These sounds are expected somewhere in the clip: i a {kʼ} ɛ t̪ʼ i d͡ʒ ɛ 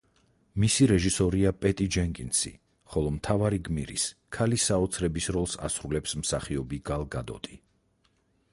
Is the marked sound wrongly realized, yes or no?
yes